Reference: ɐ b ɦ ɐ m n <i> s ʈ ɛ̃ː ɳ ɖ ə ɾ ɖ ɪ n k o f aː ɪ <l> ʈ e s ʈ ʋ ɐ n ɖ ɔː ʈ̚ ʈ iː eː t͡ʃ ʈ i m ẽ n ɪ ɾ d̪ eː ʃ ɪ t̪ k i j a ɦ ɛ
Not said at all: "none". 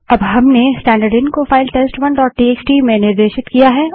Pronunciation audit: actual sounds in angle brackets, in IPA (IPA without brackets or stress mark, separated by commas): e, l